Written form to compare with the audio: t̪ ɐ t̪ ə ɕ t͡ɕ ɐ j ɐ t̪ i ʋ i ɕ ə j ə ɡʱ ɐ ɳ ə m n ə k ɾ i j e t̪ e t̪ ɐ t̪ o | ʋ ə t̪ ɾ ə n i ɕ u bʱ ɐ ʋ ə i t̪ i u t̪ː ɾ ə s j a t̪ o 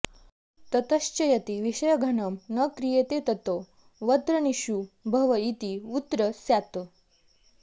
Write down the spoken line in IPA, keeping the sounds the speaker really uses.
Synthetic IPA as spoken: t̪ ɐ t̪ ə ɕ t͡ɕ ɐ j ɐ t̪ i ʋ i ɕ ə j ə ɡʱ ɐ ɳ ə m n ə k ɾ i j e t̪ e t̪ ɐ t̪ o | ʋ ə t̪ ɾ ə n i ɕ u bʱ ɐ ʋ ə i t̪ i u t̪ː ɾ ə s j a t̪ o